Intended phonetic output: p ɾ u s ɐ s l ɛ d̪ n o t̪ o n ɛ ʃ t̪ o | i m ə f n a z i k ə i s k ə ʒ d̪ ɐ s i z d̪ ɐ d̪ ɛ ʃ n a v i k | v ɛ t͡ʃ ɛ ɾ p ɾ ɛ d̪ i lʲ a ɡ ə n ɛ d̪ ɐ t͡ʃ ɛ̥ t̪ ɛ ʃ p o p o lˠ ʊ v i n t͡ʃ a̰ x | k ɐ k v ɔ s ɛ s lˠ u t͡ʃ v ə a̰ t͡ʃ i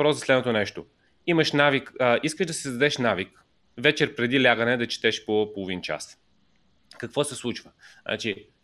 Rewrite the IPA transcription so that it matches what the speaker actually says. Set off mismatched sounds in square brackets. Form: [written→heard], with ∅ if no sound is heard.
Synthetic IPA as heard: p ɾ [u→ɔ] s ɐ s l ɛ d̪ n o t̪ o n ɛ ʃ t̪ o | i m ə [f→ʃ] n a [z→v] i k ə i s k ə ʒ d̪ ɐ s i z d̪ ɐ d̪ ɛ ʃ n a v i k | v ɛ t͡ʃ ɛ ɾ p ɾ ɛ d̪ i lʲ a ɡ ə n ɛ d̪ ɐ t͡ʃ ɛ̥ t̪ ɛ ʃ p o p o lˠ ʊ v i n t͡ʃ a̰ [x→s] | k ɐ k v ɔ s ɛ s lˠ u t͡ʃ v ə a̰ t͡ʃ i